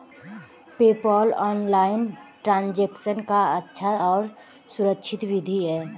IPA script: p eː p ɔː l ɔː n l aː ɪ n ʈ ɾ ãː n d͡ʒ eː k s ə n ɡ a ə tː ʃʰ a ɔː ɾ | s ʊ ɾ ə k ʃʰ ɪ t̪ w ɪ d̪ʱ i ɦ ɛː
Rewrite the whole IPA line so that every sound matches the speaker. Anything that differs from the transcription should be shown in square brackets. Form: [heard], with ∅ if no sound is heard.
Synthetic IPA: p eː p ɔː l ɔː n l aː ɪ n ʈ ɾ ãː n d͡ʒ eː k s ə n [k] a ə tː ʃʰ a ɔː ɾ | s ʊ ɾ ə k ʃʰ ɪ t̪ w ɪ d̪ʱ i ɦ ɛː